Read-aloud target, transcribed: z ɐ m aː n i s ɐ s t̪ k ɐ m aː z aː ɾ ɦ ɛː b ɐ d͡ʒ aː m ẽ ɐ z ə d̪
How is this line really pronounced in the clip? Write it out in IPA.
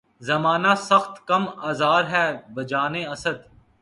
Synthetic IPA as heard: z ɐ m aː n a s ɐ x t̪ k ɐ m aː z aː ɾ ɦ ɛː b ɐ d͡ʒ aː n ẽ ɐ s ə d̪